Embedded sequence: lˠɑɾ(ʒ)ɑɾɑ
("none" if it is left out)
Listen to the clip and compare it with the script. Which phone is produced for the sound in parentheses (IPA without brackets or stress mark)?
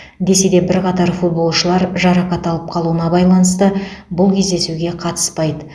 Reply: ʒ